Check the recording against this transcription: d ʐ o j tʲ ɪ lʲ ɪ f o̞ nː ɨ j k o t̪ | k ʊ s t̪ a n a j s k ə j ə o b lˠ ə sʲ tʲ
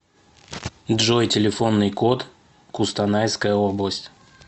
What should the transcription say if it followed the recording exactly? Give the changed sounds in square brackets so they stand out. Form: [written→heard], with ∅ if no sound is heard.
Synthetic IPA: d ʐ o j tʲ ɪ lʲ ɪ f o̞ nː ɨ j k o t̪ | k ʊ s t̪ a n a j s k ə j ə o b lˠ ə sʲ tʲ